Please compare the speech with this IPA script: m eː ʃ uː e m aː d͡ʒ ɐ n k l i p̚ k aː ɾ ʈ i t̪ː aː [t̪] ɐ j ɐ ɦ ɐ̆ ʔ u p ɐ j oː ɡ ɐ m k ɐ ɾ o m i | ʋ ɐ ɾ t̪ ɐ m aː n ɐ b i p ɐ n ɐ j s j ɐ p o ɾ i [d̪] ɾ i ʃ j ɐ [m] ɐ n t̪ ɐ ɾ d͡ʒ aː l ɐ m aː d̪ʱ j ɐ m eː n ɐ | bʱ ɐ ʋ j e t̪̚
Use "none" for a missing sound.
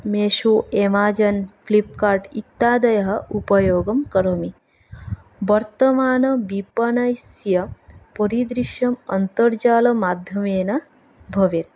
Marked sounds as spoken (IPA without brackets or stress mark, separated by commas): d̪, d̪, m